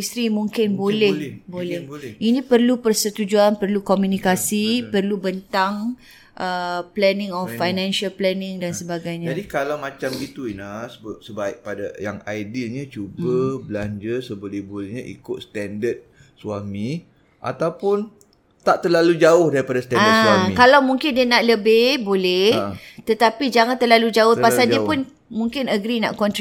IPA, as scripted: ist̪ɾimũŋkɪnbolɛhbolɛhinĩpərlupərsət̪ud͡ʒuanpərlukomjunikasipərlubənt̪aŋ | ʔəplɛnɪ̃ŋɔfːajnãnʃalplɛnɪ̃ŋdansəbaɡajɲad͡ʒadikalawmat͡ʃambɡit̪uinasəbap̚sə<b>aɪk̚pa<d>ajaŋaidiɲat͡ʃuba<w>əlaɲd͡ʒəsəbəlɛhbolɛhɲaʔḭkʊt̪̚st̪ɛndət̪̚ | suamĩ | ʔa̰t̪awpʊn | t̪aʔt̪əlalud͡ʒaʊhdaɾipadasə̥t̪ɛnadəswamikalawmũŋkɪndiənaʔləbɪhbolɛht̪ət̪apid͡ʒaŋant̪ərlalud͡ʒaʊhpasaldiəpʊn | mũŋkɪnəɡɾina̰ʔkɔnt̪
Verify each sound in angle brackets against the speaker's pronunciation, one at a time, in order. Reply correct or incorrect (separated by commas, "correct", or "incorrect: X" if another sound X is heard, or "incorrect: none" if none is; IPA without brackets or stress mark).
correct, correct, incorrect: b